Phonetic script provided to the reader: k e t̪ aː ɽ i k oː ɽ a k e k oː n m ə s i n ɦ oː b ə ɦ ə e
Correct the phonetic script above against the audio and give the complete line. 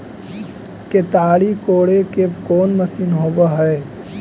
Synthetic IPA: k e t̪ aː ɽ i k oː ɽ e k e k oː n m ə s i n ɦ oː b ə ɦ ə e